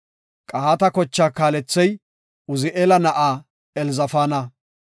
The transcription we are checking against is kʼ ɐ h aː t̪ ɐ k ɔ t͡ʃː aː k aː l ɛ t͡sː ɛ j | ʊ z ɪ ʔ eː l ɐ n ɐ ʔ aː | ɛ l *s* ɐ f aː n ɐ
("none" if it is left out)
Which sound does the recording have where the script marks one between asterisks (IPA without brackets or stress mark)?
z